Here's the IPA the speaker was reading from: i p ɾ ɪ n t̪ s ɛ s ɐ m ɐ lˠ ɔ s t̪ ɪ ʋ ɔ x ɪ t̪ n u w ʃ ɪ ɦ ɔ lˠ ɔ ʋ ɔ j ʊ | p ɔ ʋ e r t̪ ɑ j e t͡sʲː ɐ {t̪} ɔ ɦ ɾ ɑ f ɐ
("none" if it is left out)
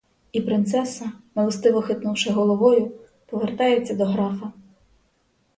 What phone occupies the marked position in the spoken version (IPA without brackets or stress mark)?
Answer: d̪